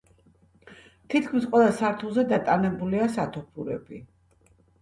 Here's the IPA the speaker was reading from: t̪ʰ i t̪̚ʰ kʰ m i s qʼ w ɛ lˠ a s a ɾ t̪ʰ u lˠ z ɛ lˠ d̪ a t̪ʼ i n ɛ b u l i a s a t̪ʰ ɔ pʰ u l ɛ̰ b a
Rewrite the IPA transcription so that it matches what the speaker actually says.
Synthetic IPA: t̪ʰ i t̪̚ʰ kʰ m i s qʼ w ɛ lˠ a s a ɾ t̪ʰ u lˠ z ɛ d̪ a t̪ʼ a n ɛ b u l i a s a t̪ʰ ɔ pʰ u ɾ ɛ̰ b i